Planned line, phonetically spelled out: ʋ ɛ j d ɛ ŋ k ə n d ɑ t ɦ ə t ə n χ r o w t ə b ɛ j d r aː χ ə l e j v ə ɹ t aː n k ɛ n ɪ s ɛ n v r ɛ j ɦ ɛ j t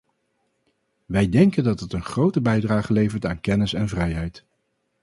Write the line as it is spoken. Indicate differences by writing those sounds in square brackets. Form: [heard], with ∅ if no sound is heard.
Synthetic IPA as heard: ʋ ɛ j d ɛ ŋ k ə n d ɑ t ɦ ə t ə n χ r o w t ə b ɛ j d r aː χ ə l e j v ə ɹ t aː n k ɛ n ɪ s ɛ n v r ɛ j ɦ ɛ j t